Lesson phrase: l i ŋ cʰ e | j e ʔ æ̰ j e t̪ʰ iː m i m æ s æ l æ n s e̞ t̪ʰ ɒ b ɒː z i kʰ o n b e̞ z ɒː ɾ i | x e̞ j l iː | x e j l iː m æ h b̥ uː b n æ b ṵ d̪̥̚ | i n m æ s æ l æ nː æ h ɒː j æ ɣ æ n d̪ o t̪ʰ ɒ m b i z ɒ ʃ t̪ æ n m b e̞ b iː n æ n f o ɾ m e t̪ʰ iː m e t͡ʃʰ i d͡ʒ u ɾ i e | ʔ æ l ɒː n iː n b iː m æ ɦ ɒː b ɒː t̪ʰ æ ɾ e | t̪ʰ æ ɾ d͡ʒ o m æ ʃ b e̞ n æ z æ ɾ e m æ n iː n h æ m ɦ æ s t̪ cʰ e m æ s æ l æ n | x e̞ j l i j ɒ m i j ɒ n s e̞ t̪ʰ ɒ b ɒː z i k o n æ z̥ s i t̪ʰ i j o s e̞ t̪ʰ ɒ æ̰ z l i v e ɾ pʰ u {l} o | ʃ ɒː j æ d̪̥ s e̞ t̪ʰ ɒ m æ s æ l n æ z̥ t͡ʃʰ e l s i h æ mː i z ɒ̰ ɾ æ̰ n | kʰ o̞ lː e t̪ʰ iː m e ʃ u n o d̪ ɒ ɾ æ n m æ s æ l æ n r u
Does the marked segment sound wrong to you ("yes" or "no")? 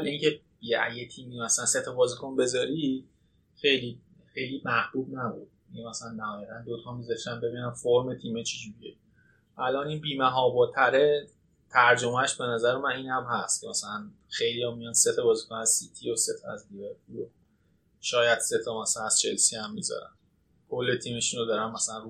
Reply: no